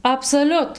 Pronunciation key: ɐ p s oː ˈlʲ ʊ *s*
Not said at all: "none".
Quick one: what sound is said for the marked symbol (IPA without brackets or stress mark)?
t